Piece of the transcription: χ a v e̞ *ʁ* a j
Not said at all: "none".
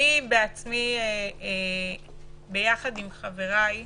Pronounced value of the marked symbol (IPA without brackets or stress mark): ʁ